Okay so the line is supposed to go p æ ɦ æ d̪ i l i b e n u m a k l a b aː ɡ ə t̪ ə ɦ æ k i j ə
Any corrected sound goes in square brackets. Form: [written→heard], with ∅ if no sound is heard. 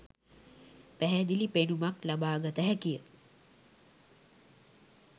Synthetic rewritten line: p æ ɦ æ d̪ i l i [b→p] e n u m a k l a b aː ɡ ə t̪ ə ɦ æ k i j ə